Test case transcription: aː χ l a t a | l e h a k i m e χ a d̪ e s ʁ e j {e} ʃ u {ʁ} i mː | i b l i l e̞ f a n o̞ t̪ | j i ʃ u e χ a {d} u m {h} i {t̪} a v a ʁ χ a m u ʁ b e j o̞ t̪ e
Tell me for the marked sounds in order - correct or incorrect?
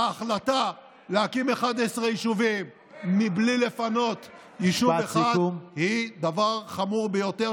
incorrect: i, incorrect: v, correct, correct, incorrect: d̪

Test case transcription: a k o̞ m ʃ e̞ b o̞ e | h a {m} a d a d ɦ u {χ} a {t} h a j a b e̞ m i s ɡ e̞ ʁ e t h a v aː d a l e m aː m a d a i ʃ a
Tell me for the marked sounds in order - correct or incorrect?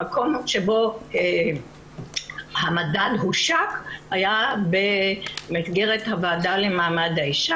correct, incorrect: ʃ, incorrect: k

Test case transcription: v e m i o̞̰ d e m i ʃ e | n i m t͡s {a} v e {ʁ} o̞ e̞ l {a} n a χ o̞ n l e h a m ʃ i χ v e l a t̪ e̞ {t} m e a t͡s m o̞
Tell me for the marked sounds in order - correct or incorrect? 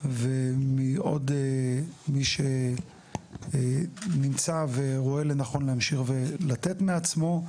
correct, correct, incorrect: e, correct

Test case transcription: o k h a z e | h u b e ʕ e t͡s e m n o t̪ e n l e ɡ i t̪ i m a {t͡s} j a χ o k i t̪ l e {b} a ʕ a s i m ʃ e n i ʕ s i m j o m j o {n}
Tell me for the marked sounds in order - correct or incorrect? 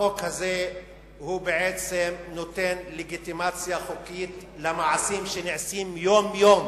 correct, incorrect: m, incorrect: m

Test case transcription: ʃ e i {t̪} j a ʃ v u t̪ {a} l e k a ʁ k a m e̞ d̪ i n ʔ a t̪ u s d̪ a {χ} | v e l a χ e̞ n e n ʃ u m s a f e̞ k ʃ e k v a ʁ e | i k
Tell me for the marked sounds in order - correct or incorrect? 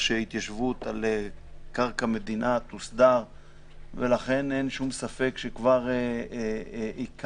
correct, correct, incorrect: ʁ

